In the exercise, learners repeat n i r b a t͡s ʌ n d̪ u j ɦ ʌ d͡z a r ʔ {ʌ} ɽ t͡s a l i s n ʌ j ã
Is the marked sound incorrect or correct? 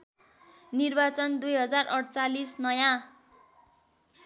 correct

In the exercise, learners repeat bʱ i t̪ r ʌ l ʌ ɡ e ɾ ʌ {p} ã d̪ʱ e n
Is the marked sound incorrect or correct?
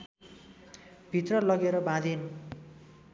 incorrect: b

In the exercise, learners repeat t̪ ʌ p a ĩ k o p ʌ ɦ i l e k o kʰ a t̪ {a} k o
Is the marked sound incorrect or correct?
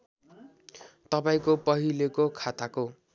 correct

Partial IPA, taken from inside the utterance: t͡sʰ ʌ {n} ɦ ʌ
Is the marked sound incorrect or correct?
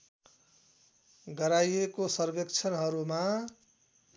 correct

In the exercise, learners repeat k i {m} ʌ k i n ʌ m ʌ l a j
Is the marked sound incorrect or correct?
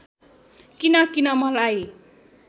incorrect: n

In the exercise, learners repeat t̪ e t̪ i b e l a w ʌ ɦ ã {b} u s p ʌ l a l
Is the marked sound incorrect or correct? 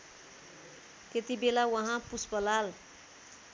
incorrect: p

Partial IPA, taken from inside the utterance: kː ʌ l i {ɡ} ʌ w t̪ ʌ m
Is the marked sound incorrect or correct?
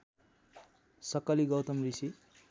correct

